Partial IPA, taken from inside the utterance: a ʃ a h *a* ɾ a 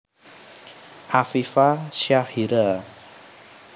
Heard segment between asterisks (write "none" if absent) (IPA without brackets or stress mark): i